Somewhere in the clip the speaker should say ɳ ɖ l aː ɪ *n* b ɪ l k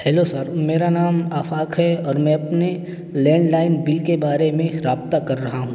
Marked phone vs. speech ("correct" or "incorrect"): correct